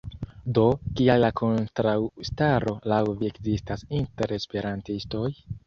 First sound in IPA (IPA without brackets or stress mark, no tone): d